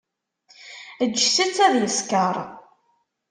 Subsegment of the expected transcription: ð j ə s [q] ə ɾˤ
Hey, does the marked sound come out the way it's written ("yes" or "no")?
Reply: no